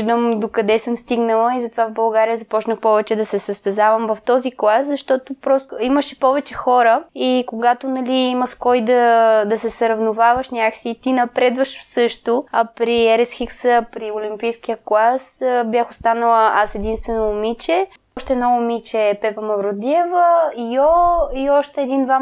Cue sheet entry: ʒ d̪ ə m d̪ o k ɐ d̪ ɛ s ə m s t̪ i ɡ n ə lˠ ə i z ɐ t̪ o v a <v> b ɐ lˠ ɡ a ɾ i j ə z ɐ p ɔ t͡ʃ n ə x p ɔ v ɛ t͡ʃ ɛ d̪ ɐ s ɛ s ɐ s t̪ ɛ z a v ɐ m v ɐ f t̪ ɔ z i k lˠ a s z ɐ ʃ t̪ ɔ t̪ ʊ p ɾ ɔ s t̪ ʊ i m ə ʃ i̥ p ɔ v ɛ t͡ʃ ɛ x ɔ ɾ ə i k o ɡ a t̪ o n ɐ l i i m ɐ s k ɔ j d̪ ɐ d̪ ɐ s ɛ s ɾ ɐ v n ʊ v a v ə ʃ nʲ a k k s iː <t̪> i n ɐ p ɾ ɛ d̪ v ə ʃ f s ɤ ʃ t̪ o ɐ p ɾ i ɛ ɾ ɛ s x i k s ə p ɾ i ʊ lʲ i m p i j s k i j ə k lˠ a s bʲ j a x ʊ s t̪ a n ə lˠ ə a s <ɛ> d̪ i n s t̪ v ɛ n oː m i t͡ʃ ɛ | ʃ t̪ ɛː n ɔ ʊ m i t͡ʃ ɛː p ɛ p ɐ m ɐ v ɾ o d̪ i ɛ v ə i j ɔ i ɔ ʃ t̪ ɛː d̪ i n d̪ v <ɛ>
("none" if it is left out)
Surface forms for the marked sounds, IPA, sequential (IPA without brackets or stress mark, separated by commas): v, t̪, ɛ, a